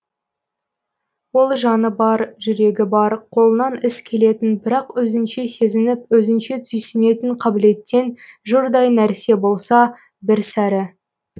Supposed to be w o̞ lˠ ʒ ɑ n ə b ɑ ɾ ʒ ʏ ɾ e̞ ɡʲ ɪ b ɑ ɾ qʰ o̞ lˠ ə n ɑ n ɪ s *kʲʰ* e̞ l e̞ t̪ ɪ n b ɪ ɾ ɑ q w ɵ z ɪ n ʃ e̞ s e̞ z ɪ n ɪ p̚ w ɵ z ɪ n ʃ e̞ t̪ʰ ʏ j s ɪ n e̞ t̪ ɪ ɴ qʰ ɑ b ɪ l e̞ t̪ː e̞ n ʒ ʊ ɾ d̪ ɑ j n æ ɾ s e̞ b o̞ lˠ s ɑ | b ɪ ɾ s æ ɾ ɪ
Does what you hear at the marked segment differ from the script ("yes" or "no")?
no